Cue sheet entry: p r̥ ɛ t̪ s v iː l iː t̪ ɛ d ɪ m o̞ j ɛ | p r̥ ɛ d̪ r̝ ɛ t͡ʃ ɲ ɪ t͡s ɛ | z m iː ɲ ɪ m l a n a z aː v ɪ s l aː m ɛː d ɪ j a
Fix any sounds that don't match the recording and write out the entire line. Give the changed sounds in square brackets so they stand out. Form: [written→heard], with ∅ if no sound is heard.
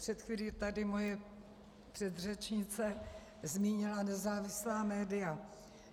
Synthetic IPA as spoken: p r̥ ɛ t̪ [s→x] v iː l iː t̪ [ɛ→a] d ɪ m o̞ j ɛ | p r̥ ɛ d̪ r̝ ɛ t͡ʃ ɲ ɪ t͡s ɛ | z m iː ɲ ɪ [m→∅] l a n [a→ɛ] z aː v ɪ s l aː m ɛː d ɪ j a